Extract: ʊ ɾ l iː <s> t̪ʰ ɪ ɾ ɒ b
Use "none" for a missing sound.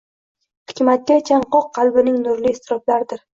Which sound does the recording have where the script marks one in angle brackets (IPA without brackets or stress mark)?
s